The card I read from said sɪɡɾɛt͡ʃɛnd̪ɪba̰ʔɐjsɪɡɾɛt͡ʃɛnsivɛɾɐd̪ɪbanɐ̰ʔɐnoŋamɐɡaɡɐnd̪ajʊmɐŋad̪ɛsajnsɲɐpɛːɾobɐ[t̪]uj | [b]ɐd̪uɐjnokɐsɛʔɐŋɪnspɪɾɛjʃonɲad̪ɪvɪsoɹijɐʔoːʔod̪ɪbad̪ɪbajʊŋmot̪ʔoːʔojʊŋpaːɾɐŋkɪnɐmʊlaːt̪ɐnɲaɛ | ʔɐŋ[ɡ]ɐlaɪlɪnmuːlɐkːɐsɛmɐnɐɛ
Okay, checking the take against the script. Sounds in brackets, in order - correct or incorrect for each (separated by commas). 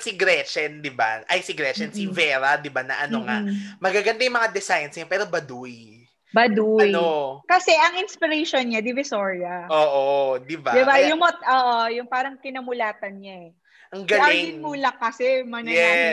incorrect, correct, correct